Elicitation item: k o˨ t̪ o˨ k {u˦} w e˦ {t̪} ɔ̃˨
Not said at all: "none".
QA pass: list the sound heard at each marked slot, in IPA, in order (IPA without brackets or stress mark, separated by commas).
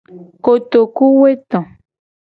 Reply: u˦, t̪